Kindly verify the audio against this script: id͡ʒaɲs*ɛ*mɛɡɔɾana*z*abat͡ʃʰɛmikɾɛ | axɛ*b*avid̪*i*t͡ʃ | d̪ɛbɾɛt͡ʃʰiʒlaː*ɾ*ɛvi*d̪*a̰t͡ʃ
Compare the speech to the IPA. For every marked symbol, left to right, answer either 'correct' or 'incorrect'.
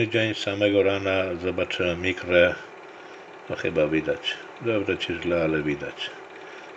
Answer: incorrect: a, correct, correct, incorrect: a, incorrect: l, correct

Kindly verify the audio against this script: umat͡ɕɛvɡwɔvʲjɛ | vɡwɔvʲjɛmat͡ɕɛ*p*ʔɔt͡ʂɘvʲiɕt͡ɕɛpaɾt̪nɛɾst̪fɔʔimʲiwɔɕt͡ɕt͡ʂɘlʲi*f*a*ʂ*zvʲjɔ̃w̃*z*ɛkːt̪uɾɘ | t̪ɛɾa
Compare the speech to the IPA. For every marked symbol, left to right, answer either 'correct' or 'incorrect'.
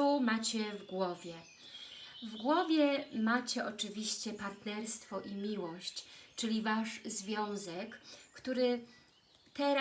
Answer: incorrect: none, incorrect: v, correct, correct

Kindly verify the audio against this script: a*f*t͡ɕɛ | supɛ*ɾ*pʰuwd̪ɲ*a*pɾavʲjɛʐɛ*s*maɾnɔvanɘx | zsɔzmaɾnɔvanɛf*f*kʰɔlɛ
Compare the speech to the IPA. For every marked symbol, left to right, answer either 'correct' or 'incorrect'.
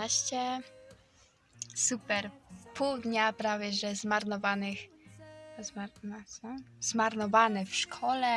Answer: incorrect: ɕ, correct, correct, incorrect: z, incorrect: ʂ

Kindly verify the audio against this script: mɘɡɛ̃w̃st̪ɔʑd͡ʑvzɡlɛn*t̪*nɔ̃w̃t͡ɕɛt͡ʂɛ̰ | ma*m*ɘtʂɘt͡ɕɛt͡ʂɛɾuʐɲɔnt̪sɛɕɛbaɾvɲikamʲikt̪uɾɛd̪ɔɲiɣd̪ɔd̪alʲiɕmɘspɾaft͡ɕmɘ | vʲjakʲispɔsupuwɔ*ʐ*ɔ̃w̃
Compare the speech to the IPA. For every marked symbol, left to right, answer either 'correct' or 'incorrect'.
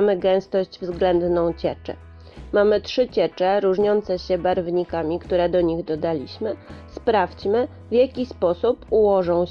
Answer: incorrect: d̪, correct, correct

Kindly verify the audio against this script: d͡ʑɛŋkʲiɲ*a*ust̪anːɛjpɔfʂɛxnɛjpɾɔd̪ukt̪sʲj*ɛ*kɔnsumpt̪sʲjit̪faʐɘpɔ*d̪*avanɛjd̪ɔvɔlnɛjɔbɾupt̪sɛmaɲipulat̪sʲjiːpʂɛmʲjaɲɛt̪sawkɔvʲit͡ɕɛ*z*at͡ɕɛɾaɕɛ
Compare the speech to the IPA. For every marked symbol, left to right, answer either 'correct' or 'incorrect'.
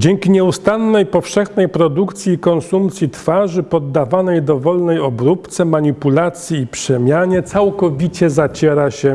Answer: incorrect: ɛ, incorrect: i, incorrect: d̪ː, correct

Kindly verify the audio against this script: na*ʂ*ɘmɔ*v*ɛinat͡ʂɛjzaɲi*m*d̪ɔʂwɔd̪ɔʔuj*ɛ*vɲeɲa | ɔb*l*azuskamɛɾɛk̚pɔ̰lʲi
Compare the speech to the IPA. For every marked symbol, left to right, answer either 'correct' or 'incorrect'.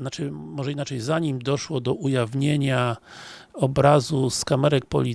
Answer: incorrect: t͡ʂ, incorrect: ʐ, correct, incorrect: a, incorrect: ɾ

